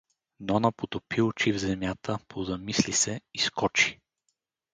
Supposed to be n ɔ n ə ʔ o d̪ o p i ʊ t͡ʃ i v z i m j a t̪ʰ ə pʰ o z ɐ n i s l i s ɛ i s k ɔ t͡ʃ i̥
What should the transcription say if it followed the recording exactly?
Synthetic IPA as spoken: n ɔ n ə p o t̪ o p i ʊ t͡ʃ i v z ɛ m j a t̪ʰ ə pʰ o z ɐ m i s l i s ɛ i s k ɔ t͡ʃ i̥